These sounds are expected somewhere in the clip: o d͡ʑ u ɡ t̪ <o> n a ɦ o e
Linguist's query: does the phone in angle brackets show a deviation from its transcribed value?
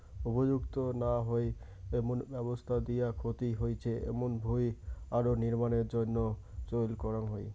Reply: no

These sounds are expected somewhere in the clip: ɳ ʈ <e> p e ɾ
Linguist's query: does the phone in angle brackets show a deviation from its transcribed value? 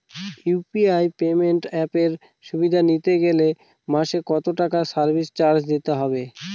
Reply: yes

